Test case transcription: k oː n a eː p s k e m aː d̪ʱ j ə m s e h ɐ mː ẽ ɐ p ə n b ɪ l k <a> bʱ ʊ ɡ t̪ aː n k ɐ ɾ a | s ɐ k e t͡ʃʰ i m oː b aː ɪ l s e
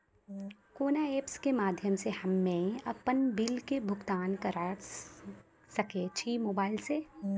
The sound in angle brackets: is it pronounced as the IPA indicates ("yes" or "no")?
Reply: no